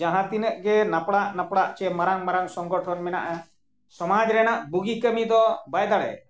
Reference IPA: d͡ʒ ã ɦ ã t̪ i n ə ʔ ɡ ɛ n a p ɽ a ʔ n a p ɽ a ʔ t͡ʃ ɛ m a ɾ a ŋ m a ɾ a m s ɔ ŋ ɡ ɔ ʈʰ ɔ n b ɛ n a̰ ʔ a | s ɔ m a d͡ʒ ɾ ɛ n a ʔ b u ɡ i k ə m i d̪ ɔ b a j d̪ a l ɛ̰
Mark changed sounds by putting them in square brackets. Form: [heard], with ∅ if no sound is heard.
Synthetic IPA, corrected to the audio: d͡ʒ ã ɦ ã t̪ i n ə ʔ ɡ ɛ n a p ɽ a ʔ n a p ɽ a ʔ t͡ʃ ɛ m a ɾ a ŋ m a ɾ a [ŋ] s ɔ ŋ ɡ ɔ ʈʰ ɔ n [m] ɛ n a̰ ʔ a | s ɔ m a d͡ʒ ɾ ɛ n a ʔ b u ɡ i k ə m i d̪ ɔ b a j d̪ a [ɽ] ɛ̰